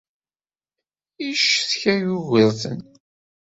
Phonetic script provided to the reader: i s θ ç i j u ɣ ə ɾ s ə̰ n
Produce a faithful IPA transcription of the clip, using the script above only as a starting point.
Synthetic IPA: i ʃ θ ç æ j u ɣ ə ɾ θ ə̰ n